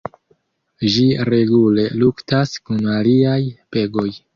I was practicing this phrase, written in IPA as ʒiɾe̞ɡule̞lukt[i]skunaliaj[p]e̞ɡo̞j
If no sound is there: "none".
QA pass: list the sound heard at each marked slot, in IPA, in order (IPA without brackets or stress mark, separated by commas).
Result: a, p